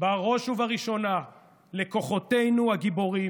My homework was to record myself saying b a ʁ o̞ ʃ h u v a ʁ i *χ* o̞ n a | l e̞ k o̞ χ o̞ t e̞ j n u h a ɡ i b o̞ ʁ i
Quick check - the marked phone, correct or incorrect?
incorrect